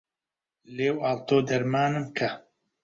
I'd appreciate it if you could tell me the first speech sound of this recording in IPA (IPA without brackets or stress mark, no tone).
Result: l